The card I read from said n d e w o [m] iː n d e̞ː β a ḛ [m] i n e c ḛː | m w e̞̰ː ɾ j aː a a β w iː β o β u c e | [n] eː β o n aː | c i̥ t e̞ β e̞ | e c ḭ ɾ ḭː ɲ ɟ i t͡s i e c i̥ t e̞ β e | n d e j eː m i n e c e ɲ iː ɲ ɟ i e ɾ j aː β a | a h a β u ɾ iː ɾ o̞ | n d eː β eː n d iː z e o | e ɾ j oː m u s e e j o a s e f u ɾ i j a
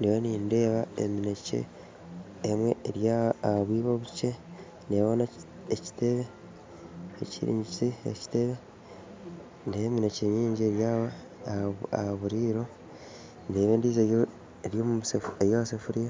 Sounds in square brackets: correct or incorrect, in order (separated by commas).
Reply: incorrect, correct, correct